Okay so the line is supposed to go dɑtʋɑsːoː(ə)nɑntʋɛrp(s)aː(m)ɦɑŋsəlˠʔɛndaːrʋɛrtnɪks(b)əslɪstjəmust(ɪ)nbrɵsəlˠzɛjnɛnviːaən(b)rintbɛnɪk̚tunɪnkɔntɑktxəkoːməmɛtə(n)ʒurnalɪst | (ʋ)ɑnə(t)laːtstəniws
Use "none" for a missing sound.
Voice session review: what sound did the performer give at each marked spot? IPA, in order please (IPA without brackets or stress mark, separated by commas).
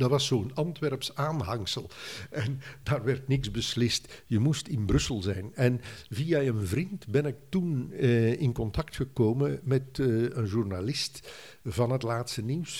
ə, s, n, b, ɪ, v, n, v, t